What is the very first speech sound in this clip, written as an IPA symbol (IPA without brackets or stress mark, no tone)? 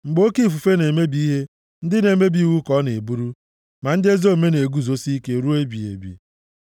ŋ͡m̩